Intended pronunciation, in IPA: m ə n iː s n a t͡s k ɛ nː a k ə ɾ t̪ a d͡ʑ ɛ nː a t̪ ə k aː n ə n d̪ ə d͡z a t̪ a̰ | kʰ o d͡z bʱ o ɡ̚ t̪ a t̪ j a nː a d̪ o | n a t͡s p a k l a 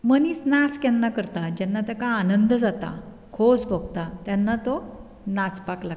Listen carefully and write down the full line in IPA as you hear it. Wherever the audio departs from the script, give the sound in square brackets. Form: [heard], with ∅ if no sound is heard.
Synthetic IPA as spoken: m ə n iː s n a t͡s k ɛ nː a k ə ɾ t̪ a d͡ʑ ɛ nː a t̪ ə k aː n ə n d̪ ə d͡z a t̪ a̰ | kʰ o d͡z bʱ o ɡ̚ t̪ a t̪ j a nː a [t̪] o | n a t͡s p a k l a